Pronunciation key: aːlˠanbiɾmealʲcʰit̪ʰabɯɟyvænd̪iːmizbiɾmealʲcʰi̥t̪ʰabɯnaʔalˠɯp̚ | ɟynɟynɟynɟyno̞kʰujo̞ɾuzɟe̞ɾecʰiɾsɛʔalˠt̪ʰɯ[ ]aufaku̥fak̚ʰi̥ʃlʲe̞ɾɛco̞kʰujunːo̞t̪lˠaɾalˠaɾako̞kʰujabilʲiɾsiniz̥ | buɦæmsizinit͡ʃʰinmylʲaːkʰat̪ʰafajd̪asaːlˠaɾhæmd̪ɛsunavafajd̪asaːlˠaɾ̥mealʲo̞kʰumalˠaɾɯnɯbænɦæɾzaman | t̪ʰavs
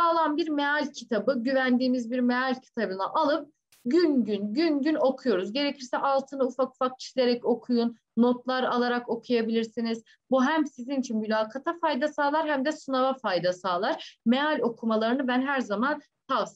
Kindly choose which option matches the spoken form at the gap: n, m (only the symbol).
n